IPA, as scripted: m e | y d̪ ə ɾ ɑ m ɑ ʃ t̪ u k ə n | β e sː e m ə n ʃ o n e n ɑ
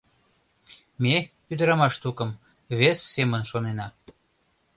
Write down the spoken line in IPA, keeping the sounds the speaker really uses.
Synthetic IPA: m e | y d̪ ə ɾ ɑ m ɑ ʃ t̪ u k ə m | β e sː e m ə n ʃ o n e n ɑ